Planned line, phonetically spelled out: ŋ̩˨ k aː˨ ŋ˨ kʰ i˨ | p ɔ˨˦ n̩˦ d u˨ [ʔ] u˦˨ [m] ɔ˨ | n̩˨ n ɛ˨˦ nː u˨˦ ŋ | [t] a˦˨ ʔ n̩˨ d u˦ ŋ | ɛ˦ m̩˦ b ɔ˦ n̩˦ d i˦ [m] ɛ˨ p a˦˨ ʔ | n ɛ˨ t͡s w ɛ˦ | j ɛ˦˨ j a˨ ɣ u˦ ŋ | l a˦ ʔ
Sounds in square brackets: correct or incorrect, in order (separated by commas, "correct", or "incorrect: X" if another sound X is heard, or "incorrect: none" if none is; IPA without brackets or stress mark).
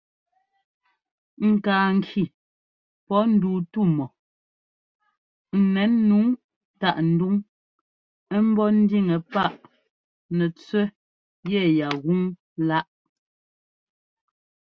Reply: incorrect: t, correct, correct, incorrect: ŋ